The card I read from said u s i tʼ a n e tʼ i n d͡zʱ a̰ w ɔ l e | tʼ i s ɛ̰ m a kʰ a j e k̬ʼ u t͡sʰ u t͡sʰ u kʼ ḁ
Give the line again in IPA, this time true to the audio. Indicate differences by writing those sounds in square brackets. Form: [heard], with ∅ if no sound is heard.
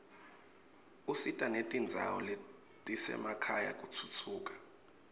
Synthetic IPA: u s i tʼ a n e tʼ i n d͡zʱ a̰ w ɔ l e | tʼ i s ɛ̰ m a kʰ a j [a] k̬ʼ u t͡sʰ u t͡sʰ [uː] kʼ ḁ